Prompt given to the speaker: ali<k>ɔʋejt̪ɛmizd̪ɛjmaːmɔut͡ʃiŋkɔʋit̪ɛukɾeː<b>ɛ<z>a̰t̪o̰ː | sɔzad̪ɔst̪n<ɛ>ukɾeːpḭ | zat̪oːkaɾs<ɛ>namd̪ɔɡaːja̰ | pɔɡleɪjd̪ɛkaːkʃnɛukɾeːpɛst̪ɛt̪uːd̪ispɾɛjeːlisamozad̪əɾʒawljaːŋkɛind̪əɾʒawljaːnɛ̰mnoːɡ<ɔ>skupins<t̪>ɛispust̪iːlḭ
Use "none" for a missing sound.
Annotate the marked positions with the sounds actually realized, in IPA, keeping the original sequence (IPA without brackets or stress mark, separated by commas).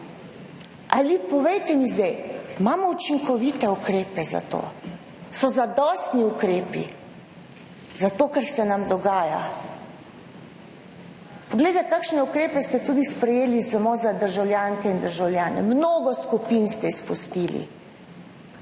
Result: p, p, z, i, ɛ, ɔ, t̪